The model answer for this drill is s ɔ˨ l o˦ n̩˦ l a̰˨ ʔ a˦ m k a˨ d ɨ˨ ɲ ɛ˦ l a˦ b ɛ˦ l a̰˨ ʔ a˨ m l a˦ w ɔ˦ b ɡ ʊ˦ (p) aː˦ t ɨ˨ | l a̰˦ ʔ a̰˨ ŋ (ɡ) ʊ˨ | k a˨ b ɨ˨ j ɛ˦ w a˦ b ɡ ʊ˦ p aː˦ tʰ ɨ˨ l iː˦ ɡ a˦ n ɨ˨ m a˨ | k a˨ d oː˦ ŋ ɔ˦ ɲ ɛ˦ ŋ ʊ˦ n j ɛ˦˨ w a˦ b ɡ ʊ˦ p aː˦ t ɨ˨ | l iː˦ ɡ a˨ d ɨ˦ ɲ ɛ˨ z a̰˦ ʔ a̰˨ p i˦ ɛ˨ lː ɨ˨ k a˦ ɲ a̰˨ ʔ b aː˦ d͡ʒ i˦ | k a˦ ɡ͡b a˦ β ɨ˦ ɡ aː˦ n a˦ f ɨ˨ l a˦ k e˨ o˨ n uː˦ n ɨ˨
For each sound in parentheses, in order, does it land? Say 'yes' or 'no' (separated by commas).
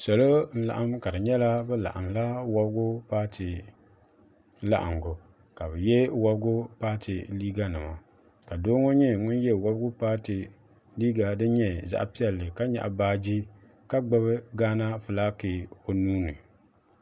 yes, yes